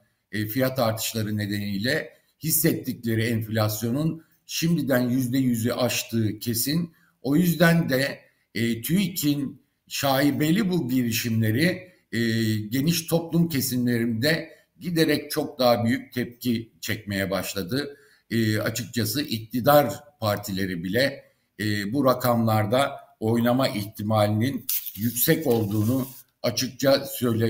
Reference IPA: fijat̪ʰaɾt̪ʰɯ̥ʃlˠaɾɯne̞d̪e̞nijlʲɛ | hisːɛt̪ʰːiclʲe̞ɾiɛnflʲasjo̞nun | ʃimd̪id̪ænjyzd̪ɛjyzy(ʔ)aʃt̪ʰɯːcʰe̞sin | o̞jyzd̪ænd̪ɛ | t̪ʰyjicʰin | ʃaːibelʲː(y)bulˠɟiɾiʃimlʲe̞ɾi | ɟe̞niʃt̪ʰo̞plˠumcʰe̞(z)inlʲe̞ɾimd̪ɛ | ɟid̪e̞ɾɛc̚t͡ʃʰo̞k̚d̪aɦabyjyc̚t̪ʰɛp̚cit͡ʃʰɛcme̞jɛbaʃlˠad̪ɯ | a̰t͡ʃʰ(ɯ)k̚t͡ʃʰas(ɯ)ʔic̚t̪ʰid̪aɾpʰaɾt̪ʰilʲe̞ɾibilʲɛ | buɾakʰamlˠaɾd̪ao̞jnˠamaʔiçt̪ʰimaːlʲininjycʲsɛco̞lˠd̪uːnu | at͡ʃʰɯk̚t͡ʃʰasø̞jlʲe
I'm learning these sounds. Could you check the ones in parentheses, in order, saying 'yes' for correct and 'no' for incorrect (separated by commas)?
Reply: yes, no, no, yes, yes